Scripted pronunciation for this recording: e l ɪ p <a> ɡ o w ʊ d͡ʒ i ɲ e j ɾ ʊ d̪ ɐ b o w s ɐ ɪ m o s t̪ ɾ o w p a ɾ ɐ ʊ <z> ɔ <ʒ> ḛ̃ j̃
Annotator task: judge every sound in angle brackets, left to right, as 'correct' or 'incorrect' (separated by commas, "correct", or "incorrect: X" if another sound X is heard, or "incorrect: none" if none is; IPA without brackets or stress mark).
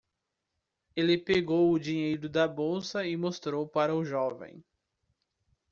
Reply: incorrect: e, incorrect: ʒ, incorrect: v